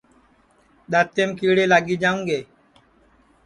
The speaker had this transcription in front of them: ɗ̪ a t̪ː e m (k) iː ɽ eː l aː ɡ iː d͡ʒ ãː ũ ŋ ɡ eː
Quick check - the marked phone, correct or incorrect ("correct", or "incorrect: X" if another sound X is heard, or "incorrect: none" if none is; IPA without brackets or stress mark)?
correct